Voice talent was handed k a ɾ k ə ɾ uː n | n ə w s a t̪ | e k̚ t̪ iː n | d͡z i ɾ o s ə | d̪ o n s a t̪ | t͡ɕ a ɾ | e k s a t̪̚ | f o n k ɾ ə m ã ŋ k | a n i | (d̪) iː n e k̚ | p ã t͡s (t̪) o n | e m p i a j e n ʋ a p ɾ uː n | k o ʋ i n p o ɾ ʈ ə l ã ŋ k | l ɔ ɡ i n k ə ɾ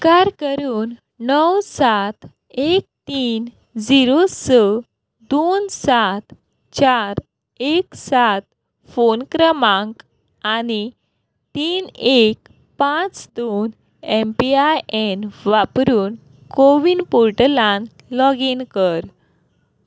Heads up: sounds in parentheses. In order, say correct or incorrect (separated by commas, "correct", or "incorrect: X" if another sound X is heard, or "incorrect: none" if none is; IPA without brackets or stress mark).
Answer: incorrect: t̪, incorrect: d̪